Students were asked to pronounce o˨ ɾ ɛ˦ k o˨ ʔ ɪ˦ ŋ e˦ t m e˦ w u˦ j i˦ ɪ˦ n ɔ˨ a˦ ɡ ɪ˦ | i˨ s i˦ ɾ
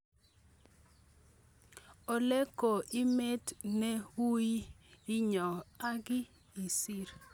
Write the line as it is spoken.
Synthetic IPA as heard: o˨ l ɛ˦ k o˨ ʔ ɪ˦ m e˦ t n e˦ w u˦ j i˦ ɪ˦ ɲ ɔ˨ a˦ ɡ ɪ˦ | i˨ s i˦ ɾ

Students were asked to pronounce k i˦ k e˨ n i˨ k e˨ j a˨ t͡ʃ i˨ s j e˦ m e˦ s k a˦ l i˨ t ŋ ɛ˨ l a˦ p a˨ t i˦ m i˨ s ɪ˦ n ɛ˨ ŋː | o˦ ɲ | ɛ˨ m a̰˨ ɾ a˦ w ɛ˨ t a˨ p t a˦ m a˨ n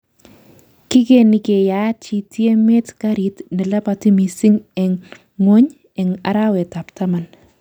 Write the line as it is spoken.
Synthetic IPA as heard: k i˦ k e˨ n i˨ k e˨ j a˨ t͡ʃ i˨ t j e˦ m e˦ t k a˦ ɾ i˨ t n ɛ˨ l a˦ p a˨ t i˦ m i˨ s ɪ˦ ŋ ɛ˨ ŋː | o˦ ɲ | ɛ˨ ŋ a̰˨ ɾ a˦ w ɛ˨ t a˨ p t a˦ m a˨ n

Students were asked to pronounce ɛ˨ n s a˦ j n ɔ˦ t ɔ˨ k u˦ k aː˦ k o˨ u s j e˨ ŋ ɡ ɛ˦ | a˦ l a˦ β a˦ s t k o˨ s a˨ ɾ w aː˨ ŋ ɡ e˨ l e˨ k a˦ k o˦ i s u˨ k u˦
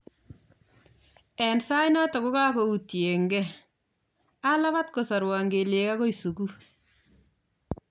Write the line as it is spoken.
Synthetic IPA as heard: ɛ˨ n s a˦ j n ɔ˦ t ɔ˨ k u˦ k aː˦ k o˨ u t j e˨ ŋ ɡ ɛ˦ | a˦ l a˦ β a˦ t k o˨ s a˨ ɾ w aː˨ ŋ ɡ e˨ l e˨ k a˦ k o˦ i s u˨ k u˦

